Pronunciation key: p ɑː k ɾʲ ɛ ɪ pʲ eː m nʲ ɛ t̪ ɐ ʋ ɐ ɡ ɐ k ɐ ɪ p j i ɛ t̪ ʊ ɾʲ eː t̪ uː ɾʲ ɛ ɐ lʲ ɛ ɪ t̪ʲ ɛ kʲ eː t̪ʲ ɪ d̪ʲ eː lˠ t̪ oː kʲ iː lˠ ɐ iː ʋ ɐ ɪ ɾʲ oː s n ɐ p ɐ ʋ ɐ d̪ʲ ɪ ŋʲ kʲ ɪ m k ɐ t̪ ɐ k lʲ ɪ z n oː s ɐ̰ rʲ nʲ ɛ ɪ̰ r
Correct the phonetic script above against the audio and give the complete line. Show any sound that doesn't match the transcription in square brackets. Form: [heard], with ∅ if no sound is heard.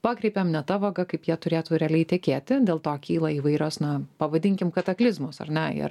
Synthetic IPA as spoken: p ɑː k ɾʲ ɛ ɪ pʲ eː m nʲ ɛ t̪ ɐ ʋ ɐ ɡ ɐ k ɐ ɪ p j i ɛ t̪ ʊ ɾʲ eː t̪ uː ɾʲ ɛ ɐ lʲ ɛ ɪ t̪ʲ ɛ kʲ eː t̪ʲ ɪ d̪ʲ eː lˠ t̪ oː kʲ iː lˠ ɐ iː ʋ ɐ ɪ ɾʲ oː s n ɐ p ɐ ʋ ɐ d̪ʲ ɪ ŋʲ kʲ ɪ m k ɐ t̪ ɐ k lʲ ɪ z [m] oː s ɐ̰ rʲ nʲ ɛ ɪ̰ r